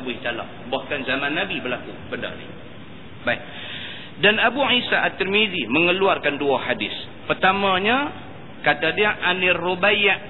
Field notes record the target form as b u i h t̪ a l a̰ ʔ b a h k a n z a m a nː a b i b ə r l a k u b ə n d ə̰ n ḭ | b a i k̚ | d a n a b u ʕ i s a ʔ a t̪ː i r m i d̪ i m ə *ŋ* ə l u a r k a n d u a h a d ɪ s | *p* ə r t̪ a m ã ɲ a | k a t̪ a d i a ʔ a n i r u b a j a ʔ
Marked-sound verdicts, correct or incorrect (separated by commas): correct, correct